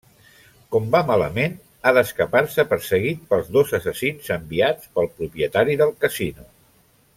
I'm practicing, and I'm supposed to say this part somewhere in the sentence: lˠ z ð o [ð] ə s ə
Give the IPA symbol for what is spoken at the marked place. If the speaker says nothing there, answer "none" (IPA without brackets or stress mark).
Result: z